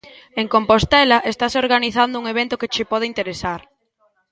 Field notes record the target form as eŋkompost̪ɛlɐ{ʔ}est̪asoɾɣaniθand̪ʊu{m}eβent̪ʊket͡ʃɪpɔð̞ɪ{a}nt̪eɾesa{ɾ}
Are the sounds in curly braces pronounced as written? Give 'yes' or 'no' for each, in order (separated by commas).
yes, no, no, yes